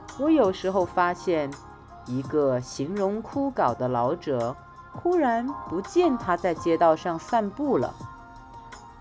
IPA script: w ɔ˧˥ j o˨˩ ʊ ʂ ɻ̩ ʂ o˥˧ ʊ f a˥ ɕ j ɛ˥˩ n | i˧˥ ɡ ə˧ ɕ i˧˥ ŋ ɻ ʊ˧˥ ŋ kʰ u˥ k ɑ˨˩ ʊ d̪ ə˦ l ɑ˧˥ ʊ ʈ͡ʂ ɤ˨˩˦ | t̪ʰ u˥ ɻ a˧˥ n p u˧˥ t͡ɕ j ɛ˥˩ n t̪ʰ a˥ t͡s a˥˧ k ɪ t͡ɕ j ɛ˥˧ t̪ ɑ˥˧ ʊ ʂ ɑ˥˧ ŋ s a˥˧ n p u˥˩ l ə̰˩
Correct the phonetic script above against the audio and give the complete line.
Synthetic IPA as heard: w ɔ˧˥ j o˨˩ ʊ ʂ ɻ̩ x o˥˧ ʊ f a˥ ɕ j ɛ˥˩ n | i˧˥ ɡ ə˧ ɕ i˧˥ ŋ ɻ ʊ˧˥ ŋ kʰ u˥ k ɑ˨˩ ʊ d̪ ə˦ l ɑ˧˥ ʊ ʈ͡ʂ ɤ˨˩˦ | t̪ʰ u˥ ɻ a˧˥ n p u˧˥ t͡ɕ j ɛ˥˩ n t̪ʰ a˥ t͡s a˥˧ ɪ t͡ɕ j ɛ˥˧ t̪ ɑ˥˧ ʊ ʂ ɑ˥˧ ŋ s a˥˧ n p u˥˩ l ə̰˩